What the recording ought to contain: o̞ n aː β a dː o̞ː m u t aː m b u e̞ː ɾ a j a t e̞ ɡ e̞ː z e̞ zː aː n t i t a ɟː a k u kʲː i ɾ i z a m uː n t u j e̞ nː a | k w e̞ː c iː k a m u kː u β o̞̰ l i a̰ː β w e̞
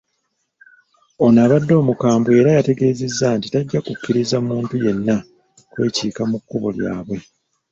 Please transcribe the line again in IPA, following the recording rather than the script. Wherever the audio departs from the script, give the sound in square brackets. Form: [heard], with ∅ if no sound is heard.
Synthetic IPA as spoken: o̞ n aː β a dː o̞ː m u [k] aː m b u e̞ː ɾ a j a t e̞ ɡ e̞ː z e̞ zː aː n t i t a ɟː a k u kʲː i ɾ i z a m uː n t u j e̞ nː a | k w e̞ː c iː k a m u kː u β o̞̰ l [j] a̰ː β w e̞